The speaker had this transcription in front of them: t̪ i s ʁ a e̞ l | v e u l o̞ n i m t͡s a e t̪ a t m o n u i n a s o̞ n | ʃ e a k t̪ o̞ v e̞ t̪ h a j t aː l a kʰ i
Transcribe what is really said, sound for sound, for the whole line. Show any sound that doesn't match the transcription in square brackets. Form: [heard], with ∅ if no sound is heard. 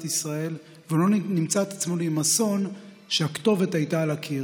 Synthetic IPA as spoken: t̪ i s ʁ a e̞ l | v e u l o̞ n i m t͡s a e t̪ a [t͡s] m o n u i [m] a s o̞ n | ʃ e a k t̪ o̞ v e̞ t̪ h a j t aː l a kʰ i